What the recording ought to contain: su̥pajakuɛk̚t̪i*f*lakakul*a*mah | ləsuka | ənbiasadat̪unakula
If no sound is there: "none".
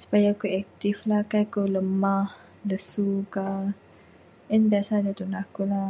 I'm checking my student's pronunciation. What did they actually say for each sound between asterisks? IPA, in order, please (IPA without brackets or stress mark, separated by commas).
f, ə